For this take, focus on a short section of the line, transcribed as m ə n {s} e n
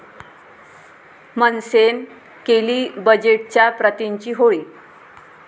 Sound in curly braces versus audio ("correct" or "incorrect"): correct